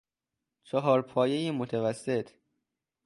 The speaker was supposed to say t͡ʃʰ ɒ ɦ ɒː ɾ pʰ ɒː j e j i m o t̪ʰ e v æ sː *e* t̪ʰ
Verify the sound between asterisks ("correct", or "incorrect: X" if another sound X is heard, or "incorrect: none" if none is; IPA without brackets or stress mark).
correct